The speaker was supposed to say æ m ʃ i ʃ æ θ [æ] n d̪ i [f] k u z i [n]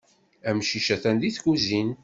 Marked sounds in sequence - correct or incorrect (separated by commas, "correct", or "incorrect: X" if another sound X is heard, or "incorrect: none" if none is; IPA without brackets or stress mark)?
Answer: correct, incorrect: θ, correct